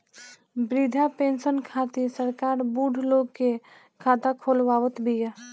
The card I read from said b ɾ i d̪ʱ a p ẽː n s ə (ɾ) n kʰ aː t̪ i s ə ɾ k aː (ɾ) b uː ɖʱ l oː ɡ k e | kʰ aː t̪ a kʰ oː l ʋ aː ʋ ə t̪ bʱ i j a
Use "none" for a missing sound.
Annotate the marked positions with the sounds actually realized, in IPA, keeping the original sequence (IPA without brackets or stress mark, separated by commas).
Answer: none, ɾ